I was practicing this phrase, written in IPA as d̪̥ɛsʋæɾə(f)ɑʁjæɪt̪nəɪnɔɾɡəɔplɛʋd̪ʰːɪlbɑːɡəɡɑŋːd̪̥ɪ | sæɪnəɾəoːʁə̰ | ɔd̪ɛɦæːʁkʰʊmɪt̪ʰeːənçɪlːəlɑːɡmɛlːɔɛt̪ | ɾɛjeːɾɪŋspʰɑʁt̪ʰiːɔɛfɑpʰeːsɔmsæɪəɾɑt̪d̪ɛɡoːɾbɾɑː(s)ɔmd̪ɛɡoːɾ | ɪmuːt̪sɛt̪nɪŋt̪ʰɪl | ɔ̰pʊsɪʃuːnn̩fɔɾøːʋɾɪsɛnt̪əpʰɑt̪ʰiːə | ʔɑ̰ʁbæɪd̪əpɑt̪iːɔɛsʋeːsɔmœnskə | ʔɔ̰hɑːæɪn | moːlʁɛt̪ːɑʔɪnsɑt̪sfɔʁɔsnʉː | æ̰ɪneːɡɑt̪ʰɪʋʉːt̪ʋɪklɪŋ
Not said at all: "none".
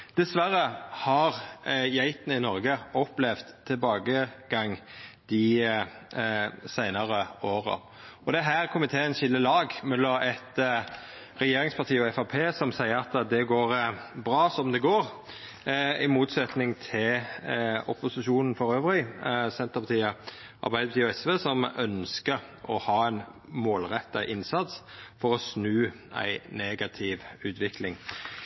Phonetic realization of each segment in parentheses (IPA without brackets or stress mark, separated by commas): h, s